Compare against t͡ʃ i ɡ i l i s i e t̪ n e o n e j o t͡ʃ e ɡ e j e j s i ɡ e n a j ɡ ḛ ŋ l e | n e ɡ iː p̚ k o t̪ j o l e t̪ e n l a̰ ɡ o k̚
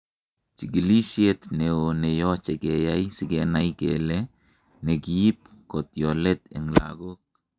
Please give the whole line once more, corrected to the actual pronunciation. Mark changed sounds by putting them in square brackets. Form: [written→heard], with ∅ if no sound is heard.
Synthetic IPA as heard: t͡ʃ i ɡ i l i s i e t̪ n e o n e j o t͡ʃ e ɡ e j [e→a] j s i ɡ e n a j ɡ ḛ [ŋ→∅] l e | n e ɡ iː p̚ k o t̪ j o l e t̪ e [n→ŋ] l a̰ ɡ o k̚